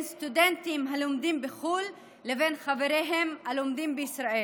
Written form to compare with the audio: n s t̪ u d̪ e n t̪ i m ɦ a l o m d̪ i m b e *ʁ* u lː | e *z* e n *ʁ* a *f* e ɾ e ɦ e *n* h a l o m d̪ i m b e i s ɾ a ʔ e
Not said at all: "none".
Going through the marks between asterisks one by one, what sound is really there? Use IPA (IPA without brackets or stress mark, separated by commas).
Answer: χ, v, χ, v, m